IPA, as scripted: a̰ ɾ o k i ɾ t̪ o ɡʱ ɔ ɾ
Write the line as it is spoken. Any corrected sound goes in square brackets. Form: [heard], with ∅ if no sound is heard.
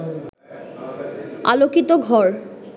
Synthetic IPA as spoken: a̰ [l] o k i [∅] t̪ o ɡʱ ɔ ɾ